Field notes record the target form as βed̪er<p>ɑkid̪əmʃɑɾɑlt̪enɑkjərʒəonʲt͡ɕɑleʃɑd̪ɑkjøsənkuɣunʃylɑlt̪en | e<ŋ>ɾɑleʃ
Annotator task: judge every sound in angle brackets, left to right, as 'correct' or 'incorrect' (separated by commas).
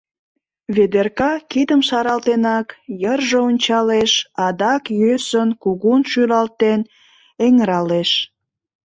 incorrect, correct